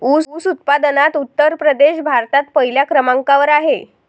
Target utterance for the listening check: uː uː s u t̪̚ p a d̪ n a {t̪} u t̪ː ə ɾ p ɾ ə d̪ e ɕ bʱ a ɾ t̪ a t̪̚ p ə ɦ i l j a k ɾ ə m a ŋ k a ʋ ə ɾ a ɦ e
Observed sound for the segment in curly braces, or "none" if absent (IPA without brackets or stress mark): t̪